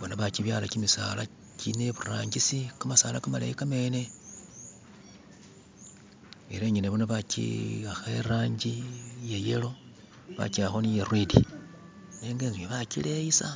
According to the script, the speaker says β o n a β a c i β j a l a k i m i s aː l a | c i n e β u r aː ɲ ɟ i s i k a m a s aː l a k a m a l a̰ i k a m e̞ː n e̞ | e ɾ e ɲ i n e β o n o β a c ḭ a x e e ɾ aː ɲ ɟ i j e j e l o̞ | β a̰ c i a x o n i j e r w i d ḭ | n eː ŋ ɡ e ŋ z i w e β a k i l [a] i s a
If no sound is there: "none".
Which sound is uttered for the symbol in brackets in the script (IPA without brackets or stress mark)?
e